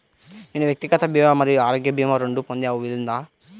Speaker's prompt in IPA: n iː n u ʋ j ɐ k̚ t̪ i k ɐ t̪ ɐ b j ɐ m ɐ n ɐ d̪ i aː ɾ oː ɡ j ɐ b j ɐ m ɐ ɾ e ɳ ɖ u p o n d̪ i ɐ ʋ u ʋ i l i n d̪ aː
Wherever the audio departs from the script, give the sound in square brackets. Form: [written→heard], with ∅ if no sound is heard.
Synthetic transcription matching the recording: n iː n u ʋ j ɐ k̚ t̪ i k ɐ t̪ ɐ b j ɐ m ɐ [n→m] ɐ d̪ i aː ɾ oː ɡ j ɐ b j ɐ m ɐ ɾ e ɳ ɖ u p o n d̪ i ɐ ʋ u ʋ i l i n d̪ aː